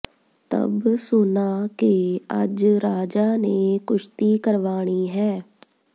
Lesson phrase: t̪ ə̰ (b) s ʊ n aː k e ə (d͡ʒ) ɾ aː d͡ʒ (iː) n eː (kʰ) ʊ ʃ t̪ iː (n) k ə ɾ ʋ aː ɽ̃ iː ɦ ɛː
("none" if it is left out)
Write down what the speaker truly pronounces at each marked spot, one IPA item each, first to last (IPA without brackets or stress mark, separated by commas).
b, d͡ʒ, aː, k, none